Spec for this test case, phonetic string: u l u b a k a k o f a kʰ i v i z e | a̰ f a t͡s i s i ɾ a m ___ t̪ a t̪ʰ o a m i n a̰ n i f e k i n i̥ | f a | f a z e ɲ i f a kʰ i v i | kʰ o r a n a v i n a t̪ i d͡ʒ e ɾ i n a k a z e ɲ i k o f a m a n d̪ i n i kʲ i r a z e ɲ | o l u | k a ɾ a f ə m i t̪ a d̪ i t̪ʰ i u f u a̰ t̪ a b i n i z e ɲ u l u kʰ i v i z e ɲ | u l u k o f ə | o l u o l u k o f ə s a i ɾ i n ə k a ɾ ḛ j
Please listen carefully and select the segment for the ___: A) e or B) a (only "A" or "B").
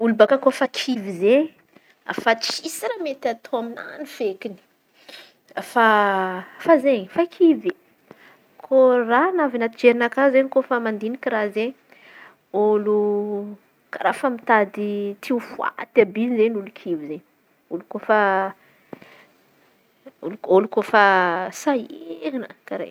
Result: A